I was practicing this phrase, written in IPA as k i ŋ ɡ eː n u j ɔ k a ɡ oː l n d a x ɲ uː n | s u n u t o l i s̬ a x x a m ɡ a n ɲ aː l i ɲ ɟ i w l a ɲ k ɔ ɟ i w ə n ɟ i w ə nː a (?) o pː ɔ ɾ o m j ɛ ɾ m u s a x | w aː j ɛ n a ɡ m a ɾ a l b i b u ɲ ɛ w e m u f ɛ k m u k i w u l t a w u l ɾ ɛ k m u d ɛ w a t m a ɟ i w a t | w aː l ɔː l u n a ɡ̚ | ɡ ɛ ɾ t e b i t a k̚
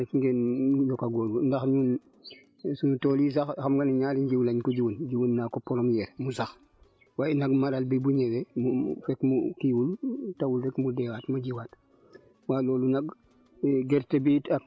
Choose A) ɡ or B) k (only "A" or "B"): B